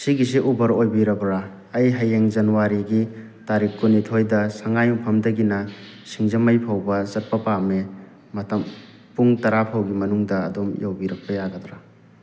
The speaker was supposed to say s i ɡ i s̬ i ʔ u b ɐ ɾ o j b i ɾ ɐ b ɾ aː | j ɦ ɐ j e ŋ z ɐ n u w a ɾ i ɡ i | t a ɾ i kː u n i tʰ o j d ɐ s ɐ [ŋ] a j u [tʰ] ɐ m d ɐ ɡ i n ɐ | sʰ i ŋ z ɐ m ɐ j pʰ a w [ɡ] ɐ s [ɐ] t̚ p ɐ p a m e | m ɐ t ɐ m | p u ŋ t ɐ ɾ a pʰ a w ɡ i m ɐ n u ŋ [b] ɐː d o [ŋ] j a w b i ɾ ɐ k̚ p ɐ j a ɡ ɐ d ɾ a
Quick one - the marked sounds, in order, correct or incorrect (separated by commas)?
correct, incorrect, incorrect, correct, incorrect, incorrect